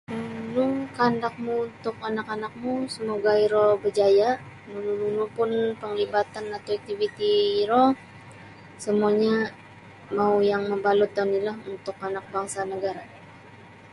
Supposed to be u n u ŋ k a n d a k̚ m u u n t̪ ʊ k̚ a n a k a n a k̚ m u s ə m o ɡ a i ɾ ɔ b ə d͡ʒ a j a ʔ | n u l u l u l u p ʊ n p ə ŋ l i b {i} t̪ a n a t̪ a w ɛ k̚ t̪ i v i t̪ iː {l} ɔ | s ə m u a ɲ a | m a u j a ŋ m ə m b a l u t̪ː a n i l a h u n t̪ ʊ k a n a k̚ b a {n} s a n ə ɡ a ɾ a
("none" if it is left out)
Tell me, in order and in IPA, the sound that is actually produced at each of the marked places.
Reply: a, ɾ, ŋ

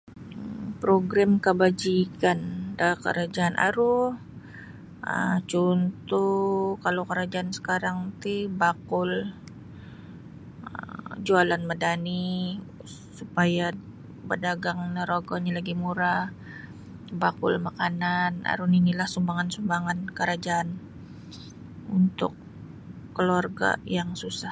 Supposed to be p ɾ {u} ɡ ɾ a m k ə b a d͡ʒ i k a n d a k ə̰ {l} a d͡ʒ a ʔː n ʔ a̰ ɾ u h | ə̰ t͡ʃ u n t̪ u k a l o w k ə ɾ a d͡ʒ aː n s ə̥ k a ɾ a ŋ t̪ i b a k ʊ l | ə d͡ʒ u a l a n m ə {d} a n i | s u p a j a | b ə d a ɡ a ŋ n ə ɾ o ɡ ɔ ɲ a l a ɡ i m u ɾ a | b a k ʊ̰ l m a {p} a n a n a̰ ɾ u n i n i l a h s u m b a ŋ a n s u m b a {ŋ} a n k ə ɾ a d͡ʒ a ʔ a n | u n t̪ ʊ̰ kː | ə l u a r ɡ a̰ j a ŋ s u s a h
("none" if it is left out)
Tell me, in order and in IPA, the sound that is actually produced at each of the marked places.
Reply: o, ɾ, d, k, ŋ

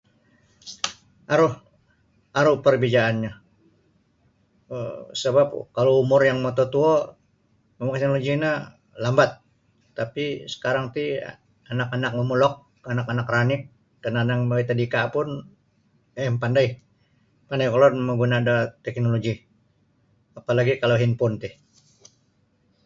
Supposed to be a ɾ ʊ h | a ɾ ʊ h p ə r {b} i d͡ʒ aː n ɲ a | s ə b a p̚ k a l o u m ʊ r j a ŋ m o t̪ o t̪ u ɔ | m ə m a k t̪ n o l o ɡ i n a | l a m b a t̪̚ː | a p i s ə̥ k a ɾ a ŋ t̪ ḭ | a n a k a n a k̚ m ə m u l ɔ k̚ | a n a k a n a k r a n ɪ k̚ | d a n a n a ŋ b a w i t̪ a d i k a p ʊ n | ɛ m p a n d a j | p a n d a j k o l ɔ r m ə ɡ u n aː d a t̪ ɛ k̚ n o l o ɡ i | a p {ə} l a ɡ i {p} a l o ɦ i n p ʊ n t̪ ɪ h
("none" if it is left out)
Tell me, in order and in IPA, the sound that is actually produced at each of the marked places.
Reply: b, a, k

